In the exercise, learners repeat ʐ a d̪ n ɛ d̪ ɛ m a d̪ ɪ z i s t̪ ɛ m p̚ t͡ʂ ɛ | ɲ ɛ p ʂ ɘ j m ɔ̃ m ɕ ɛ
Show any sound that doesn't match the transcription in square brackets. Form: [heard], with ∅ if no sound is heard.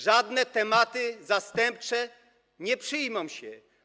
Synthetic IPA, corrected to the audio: ʐ a d̪ n ɛ [t̪] ɛ m a [t̪] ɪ z [a] s t̪ ɛ m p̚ t͡ʂ ɛ | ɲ ɛ p ʂ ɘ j m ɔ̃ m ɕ ɛ